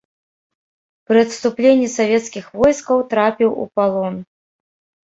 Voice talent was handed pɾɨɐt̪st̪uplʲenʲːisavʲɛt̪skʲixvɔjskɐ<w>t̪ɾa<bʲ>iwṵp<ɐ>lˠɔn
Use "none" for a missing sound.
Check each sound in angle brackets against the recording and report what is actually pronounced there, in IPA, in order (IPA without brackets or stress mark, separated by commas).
w, pʲ, a